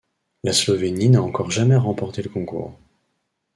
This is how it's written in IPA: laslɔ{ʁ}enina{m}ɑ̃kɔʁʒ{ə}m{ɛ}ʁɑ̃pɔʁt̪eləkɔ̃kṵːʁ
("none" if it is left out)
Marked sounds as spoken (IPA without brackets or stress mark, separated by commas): v, none, a, ɛ